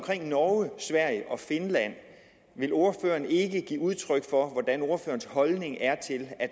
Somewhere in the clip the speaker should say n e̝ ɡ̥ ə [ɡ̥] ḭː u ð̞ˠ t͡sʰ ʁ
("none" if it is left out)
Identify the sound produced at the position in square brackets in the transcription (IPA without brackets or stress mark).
ɡ̥